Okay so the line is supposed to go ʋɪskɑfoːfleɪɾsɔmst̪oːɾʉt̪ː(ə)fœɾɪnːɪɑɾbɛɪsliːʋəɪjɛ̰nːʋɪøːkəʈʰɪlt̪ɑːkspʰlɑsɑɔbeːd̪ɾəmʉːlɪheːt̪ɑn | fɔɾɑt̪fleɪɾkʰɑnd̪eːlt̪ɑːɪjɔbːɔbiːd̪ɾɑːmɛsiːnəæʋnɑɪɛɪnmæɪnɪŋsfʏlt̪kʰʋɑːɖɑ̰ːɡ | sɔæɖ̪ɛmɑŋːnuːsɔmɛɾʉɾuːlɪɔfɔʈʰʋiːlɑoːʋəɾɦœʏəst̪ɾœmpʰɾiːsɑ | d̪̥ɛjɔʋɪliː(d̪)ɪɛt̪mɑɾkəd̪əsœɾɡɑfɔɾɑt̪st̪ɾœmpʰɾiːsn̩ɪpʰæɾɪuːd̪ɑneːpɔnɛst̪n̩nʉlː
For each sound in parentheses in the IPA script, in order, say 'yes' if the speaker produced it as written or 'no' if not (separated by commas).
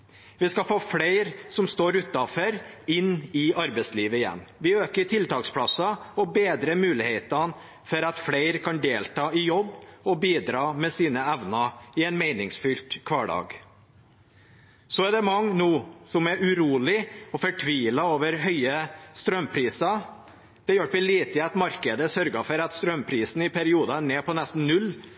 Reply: no, no